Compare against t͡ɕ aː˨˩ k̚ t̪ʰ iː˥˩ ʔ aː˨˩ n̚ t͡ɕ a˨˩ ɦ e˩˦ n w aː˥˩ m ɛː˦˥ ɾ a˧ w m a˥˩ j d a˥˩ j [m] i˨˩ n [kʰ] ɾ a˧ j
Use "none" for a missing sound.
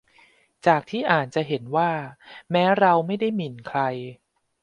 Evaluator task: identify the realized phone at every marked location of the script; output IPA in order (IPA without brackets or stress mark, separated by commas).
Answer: m, kʰ